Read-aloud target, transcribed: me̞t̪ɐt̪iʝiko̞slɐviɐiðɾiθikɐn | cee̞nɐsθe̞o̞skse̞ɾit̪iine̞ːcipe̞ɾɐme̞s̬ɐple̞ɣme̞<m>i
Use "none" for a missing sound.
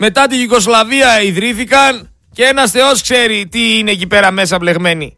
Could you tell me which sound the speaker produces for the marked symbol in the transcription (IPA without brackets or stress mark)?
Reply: n